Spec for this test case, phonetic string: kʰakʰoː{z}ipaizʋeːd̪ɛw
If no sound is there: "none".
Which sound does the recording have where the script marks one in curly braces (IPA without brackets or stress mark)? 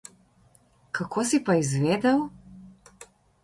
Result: s